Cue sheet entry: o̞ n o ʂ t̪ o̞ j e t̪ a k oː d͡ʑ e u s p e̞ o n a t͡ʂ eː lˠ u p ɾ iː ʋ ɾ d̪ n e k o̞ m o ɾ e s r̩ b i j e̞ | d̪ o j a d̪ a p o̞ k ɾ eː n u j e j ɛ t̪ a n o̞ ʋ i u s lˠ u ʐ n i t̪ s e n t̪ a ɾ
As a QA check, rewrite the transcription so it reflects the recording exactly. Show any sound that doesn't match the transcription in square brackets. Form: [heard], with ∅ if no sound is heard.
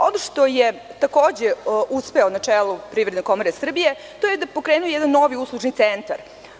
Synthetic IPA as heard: o̞ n o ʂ t̪ o̞ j e t̪ a k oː d͡ʑ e u s p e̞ o n a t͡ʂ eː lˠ u p ɾ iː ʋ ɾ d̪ n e k o̞ m o ɾ e s r̩ b i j e̞ | [t̪] o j [e] d̪ a p o̞ k ɾ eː n u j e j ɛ [d̪] a [nː] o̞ ʋ i u s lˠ u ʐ n i t̪ s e n t̪ a ɾ